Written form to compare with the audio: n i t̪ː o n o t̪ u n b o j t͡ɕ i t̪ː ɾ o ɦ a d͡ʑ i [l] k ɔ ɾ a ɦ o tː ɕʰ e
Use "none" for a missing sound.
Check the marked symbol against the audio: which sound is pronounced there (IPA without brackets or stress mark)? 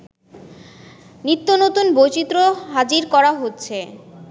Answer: ɾ